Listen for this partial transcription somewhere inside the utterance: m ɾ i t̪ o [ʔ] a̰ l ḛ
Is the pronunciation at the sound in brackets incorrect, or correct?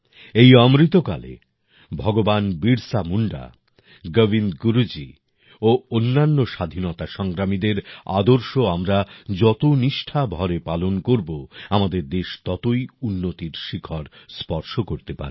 incorrect